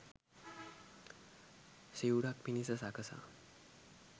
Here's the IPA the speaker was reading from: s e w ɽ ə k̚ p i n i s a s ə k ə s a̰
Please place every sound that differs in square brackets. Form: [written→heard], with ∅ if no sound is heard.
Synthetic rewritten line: s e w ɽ [ə→a] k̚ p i n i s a s [ə→a] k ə s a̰